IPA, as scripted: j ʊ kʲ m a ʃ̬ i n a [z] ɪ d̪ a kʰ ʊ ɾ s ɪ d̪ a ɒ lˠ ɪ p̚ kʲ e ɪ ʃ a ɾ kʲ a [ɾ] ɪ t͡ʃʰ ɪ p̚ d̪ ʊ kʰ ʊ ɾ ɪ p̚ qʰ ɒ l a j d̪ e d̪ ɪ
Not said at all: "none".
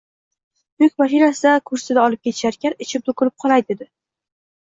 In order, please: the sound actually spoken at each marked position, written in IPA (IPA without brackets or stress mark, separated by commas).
s, ɾ